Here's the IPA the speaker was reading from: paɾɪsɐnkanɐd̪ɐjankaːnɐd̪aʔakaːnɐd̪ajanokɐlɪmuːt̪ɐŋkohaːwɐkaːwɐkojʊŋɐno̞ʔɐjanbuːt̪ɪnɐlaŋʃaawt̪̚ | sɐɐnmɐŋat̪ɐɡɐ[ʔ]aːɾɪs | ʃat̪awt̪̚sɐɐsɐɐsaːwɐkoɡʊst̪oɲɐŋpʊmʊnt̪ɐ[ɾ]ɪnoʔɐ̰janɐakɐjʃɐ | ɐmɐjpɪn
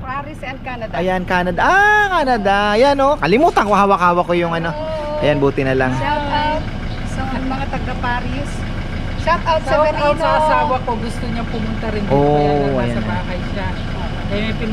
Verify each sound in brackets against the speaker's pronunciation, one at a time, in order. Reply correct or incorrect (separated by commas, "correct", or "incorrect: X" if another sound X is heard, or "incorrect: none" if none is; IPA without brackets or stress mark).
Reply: incorrect: p, correct